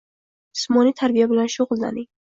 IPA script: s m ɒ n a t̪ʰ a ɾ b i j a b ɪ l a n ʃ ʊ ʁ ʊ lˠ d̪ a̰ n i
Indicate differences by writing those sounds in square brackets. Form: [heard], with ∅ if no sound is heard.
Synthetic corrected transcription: s m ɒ n [i] t̪ʰ a ɾ b i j a b ɪ l a n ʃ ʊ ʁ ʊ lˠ d̪ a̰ n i